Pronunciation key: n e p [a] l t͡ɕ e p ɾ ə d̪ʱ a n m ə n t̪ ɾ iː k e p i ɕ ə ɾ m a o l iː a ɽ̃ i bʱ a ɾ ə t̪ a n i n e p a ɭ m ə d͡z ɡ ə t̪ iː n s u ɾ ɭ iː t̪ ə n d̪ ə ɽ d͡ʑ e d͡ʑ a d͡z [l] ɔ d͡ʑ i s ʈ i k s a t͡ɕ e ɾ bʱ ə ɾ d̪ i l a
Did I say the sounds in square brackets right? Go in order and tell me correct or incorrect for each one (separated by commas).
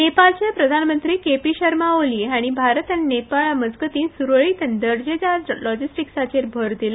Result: correct, correct